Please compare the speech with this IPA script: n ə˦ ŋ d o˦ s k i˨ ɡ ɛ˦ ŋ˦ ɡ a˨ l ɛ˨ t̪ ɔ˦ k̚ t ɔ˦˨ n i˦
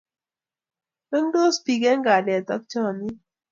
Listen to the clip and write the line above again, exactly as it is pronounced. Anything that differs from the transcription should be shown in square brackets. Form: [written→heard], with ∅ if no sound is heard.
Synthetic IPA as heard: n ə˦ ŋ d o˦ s [k→p] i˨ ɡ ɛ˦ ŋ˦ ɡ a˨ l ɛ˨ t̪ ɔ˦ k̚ [t→t͡ʃ] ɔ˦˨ n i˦